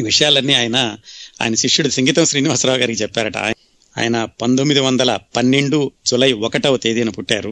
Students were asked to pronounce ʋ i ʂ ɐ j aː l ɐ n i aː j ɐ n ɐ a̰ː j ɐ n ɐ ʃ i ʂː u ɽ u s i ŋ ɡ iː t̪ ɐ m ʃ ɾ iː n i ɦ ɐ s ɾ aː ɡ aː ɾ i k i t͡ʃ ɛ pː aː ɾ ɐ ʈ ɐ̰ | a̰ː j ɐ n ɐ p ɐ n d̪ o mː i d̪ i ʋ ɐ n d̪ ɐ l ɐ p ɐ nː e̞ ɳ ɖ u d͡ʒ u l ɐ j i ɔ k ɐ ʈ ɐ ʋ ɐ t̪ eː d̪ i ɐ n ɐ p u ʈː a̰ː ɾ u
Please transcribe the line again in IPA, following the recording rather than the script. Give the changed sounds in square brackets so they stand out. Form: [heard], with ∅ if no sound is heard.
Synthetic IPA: ʋ i ʂ ɐ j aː l ɐ [nː] i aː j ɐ n ɐ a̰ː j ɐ n ɐ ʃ i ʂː u ɽ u s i ŋ ɡ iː t̪ ɐ m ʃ ɾ iː n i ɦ ɐ s ɾ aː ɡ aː ɾ i k i t͡ʃ ɛ pː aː ɾ ɐ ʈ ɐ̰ | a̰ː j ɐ n ɐ p ɐ n d̪ o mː i d̪ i ʋ ɐ n d̪ ɐ l ɐ p ɐ nː e̞ ɳ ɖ u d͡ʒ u l ɐ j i ɔ k ɐ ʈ ɐ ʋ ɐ t̪ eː d̪ i ɐ n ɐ p u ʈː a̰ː ɾ u